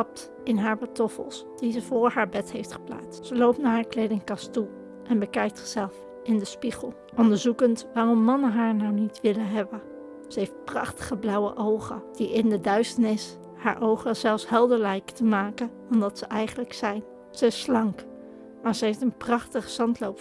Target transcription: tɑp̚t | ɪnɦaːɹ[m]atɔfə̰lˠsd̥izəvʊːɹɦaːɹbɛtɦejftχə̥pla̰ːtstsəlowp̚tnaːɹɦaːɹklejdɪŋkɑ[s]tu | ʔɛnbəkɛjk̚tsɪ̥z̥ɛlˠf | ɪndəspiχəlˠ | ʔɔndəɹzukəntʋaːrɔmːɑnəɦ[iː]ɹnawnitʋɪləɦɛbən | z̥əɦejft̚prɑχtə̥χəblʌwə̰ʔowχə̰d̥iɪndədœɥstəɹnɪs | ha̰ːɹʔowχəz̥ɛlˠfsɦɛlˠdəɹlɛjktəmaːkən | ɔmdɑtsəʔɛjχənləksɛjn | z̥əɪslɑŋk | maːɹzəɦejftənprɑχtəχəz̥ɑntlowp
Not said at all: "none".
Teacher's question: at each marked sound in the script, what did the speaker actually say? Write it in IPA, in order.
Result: b, s, aː

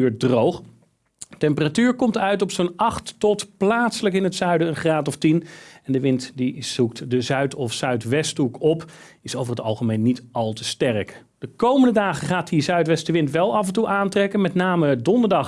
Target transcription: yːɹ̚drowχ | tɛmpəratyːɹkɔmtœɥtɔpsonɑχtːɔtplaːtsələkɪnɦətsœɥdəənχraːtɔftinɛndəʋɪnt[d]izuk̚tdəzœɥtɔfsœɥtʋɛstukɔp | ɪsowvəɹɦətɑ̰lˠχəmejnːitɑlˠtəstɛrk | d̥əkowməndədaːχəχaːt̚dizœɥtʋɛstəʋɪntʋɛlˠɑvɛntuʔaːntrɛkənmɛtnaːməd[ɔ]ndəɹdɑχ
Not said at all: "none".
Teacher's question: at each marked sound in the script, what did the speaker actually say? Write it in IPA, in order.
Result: d, ɔ

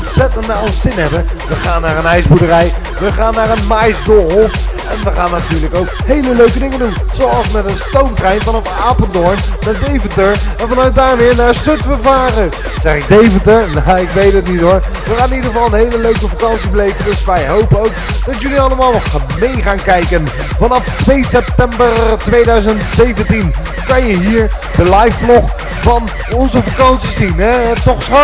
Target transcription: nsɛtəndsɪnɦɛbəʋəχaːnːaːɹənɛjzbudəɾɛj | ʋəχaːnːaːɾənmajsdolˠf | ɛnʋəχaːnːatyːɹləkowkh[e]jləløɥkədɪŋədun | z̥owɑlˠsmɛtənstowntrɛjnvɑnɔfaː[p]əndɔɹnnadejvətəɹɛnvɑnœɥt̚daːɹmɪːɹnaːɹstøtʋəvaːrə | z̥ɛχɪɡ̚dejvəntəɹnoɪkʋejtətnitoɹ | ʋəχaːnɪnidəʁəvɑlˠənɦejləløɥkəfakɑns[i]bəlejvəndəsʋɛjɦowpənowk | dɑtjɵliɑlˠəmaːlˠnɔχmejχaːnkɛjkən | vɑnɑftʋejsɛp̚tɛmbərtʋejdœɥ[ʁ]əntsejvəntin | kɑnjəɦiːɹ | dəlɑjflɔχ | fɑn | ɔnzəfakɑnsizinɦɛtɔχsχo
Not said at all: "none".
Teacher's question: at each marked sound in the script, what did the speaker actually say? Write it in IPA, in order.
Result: e, p, i, z

